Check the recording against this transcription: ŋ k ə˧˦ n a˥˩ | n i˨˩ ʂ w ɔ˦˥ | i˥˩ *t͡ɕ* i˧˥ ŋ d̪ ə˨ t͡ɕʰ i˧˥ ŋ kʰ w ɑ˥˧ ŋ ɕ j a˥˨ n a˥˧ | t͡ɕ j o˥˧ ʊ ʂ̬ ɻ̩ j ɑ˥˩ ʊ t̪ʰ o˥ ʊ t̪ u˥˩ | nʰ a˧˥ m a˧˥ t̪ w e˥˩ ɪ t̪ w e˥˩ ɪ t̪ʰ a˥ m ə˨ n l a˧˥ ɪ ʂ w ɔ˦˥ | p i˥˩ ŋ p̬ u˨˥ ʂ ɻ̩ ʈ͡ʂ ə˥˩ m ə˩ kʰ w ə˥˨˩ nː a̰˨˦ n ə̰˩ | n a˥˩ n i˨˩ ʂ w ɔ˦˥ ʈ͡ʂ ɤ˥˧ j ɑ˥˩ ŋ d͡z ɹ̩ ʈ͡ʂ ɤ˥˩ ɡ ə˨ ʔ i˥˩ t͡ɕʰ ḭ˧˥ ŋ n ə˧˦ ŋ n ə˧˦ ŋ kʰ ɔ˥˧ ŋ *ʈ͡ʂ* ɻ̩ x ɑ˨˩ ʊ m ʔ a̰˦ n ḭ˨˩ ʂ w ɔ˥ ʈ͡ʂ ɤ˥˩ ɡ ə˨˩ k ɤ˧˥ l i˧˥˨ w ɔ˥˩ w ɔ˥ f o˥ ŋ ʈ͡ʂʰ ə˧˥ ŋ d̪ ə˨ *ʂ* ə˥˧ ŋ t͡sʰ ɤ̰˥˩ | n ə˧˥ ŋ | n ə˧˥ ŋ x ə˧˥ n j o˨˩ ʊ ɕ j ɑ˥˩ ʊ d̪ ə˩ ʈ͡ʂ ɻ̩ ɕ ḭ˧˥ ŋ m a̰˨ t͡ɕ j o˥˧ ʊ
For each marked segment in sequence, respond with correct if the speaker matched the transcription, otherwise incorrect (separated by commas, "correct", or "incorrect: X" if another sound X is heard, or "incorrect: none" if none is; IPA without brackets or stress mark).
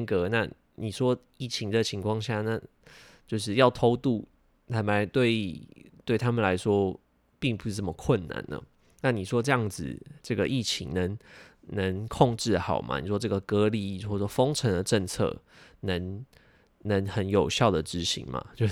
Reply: incorrect: t͡ɕʰ, correct, incorrect: ʈ͡ʂ